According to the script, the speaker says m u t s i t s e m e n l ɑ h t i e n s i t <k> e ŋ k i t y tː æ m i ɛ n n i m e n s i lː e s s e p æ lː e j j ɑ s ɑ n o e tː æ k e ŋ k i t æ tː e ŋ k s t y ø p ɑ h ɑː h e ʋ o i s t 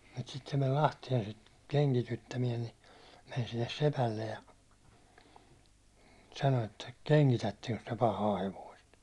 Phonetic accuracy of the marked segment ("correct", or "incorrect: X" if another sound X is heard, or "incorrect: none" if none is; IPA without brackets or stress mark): correct